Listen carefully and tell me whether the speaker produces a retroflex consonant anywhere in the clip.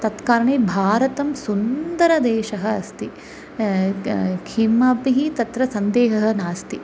yes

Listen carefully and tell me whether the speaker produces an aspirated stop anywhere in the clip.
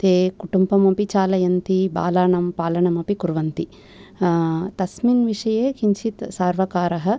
no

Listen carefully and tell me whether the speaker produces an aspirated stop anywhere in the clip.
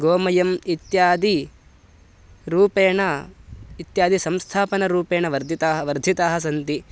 yes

